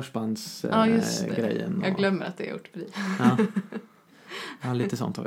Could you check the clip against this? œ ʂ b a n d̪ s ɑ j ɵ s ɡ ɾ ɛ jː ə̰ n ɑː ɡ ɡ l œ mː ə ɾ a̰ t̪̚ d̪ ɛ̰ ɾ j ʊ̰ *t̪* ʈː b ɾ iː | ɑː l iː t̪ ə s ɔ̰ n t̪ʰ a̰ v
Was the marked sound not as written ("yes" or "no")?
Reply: yes